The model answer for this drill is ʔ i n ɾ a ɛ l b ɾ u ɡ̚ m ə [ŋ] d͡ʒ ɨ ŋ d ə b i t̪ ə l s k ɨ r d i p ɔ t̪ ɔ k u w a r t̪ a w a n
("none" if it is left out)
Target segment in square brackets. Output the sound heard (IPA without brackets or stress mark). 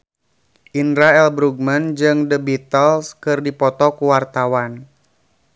n